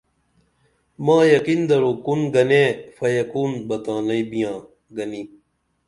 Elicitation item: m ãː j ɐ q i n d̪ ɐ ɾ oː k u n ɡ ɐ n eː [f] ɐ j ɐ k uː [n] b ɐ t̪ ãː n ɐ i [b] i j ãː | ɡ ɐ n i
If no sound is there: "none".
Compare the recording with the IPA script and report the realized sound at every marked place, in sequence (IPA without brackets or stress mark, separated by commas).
f, n, b